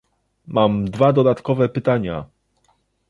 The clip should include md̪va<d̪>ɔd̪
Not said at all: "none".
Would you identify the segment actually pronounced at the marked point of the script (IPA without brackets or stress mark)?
d̪